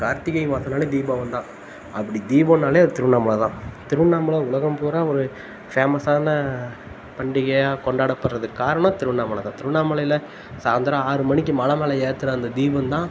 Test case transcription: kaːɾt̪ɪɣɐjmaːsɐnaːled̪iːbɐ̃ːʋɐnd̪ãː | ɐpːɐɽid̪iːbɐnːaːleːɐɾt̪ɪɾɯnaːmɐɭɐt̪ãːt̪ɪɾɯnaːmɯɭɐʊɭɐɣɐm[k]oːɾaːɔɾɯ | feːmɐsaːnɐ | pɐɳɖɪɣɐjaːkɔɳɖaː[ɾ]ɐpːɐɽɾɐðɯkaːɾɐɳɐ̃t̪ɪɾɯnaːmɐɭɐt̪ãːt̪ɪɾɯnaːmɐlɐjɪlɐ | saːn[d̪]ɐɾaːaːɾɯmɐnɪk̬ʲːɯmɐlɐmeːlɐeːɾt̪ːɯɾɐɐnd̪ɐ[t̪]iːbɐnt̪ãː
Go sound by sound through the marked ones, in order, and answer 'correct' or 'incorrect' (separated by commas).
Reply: incorrect, incorrect, correct, incorrect